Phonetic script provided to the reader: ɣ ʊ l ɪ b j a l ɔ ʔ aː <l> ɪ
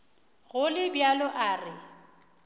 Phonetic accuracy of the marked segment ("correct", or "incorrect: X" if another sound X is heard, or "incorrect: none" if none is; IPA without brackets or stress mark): incorrect: r